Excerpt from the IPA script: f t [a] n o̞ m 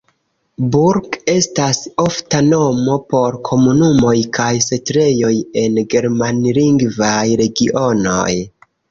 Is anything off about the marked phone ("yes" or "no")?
no